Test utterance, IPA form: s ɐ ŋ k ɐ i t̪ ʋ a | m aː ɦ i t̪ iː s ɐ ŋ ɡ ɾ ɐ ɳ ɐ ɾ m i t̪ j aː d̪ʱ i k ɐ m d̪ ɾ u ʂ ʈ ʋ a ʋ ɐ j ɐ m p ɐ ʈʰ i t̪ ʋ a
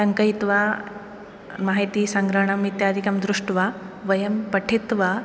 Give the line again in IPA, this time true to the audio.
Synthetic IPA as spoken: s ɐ ŋ k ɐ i t̪ ʋ a | m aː ɦ i t̪ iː s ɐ ŋ ɡ ɾ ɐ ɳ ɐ m i t̪ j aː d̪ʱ i k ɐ m d̪ ɾ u ʂ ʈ ʋ a ʋ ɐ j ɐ m p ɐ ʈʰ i t̪ ʋ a